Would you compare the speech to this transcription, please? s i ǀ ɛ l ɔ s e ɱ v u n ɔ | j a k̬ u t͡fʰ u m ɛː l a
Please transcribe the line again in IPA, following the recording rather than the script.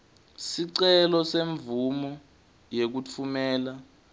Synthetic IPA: s i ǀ ɛ l ɔ s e ɱ v u m ɔ | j e k̬ u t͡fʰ u m ɛː l a